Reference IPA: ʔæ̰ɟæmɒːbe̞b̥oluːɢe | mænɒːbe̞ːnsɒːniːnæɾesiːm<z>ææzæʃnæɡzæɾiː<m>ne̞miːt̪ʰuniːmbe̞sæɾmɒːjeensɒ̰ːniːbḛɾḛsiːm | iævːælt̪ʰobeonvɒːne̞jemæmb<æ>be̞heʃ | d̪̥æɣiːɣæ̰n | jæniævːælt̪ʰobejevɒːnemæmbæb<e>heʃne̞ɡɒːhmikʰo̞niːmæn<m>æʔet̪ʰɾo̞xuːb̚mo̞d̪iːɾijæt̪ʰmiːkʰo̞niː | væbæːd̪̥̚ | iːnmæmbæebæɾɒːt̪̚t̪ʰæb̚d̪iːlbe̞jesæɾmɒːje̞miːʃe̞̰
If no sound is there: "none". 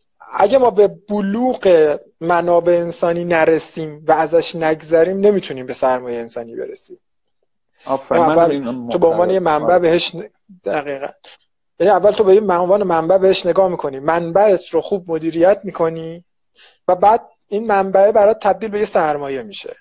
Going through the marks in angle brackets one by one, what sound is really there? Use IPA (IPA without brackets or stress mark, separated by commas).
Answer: v, m, æ, e, b